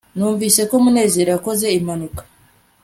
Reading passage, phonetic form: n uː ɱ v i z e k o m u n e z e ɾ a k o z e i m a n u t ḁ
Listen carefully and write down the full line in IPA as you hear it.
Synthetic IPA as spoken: n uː ɱ v i s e k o m u n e z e ɾ a k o z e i m a n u k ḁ